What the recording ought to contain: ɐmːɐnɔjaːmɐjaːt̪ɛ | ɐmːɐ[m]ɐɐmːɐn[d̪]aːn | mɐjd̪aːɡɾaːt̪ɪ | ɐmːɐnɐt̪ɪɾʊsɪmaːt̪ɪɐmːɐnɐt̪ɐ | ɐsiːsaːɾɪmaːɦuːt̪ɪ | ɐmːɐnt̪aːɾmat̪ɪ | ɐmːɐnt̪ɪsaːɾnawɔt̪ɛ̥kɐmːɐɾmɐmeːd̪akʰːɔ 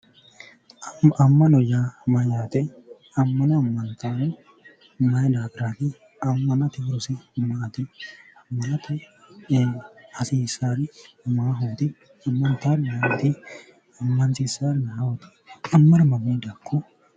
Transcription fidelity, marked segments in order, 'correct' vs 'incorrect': incorrect: n, incorrect: t̪

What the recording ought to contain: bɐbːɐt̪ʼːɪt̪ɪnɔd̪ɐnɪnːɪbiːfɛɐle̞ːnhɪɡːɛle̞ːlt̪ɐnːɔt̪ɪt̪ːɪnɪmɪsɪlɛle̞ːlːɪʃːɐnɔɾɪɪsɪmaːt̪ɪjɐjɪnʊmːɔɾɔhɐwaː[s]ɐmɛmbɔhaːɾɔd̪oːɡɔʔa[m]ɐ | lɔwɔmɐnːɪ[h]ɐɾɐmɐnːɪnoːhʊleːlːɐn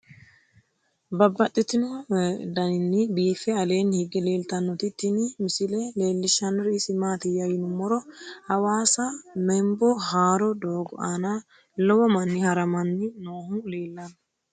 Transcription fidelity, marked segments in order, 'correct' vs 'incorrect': correct, incorrect: n, correct

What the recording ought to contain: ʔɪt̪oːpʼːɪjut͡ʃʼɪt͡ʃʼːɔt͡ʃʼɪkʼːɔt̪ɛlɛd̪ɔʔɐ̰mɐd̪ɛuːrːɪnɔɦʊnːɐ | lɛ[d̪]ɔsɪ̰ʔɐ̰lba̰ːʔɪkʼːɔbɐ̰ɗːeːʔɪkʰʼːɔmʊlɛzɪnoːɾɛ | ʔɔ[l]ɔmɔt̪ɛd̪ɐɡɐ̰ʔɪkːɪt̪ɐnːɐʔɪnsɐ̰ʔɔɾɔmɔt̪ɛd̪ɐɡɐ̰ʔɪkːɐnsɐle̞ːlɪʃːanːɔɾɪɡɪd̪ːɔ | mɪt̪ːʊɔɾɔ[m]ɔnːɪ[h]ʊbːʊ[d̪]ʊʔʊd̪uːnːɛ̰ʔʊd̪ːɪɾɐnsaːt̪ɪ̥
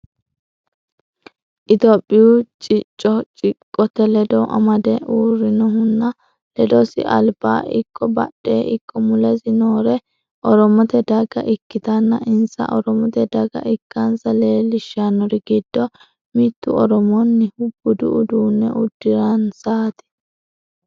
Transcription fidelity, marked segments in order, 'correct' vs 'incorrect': correct, incorrect: ɾ, correct, correct, correct

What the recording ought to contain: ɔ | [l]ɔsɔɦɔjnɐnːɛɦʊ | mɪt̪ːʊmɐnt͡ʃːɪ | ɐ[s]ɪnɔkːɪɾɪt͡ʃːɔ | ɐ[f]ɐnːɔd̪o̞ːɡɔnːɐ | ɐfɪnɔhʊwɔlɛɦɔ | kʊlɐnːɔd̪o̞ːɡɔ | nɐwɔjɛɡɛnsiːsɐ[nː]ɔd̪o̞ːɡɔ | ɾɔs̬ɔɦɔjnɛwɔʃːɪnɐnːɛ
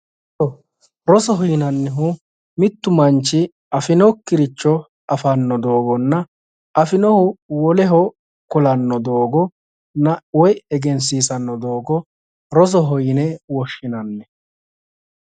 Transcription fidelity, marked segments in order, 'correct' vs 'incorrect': incorrect: ɾ, incorrect: f, correct, correct

